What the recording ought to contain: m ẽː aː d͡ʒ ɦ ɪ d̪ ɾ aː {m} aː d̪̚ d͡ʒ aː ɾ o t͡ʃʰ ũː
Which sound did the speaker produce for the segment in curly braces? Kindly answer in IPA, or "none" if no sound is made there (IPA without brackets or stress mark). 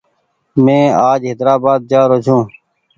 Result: b